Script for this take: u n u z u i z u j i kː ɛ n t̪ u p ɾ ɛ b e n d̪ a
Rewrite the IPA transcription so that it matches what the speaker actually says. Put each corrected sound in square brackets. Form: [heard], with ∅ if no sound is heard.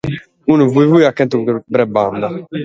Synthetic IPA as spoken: u n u [v] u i [v] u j [a] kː ɛ n t̪ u [b] ɾ ɛ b [a] n d̪ a